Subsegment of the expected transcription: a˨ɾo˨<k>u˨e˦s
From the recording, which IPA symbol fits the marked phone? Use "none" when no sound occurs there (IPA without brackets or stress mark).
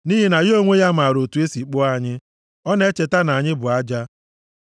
t